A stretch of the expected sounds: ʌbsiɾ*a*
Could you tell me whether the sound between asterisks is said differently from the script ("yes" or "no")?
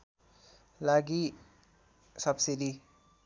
yes